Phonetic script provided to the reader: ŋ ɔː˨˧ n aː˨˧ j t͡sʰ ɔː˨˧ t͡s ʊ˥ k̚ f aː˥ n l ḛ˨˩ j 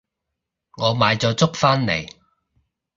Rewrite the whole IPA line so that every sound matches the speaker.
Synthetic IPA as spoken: ŋ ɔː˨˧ m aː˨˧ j t͡s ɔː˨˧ t͡s ʊ˥ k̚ f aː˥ n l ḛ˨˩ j

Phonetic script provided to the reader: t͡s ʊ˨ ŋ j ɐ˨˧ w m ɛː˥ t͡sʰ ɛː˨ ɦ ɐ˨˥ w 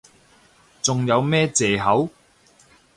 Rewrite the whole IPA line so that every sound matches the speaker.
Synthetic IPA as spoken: t͡s ʊ˨ ŋ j ɐ˨˧ w m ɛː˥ t͡s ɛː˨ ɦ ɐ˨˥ w

